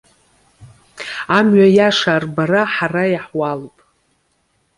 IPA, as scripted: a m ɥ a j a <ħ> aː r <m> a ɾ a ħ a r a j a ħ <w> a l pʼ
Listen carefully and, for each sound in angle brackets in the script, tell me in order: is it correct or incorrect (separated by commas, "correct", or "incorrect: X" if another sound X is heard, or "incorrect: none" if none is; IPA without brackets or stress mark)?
incorrect: ʂ, incorrect: b, correct